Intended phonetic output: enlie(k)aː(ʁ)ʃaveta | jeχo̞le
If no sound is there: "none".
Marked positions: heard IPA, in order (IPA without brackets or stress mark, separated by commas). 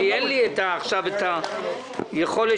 t, χ